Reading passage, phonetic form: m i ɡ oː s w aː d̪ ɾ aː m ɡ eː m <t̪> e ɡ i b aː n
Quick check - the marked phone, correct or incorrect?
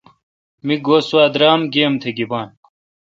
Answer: incorrect